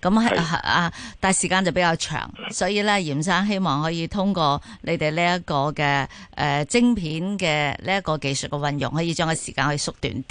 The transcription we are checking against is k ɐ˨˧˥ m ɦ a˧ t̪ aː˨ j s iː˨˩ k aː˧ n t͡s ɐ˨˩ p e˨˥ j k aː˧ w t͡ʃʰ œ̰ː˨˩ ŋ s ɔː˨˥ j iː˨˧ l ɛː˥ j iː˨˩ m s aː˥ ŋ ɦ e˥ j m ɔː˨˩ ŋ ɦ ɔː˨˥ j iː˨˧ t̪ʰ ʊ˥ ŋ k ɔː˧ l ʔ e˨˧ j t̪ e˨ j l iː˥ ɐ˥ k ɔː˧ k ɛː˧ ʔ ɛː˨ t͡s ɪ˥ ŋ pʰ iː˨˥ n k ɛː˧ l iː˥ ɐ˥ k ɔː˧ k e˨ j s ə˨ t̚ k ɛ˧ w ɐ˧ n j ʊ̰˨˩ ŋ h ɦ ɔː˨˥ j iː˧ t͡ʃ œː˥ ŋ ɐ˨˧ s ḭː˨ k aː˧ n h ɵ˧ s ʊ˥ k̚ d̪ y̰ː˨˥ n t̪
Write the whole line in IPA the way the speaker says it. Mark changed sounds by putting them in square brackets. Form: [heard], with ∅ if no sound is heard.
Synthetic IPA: k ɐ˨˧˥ m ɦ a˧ t̪ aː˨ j s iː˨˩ k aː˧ n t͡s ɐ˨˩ p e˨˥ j k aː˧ w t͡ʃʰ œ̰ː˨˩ ŋ s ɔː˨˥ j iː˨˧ l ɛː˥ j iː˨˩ m s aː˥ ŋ ɦ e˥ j m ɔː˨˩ ŋ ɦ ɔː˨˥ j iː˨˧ t̪ʰ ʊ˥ ŋ k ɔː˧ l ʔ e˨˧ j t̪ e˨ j l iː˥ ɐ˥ k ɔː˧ k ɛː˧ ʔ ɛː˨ t͡s ɪ˥ ŋ pʰ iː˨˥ n k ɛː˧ l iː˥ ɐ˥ k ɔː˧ k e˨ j s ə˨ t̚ k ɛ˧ w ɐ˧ n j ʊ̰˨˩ ŋ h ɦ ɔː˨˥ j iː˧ t͡ʃ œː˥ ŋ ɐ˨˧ s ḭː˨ k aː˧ n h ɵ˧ s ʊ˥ k̚ [t̪] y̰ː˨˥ n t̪